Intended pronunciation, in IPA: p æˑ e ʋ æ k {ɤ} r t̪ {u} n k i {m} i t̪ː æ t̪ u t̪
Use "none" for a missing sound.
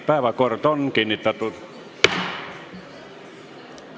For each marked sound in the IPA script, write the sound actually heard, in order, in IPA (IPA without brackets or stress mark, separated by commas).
o, o, n